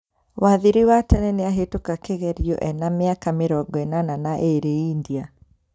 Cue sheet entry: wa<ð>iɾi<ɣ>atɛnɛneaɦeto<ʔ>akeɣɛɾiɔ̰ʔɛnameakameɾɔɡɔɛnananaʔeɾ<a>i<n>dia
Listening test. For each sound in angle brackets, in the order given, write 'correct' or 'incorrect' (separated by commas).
correct, incorrect, incorrect, incorrect, correct